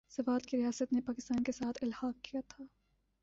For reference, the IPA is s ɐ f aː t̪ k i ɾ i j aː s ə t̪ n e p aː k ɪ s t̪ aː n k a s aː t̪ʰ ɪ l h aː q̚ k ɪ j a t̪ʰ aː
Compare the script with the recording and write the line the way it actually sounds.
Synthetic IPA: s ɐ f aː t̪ k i ɾ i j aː s ə t̪ n e p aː k ɪ s t̪ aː n k e s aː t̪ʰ ɪ l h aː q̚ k i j a t̪ʰ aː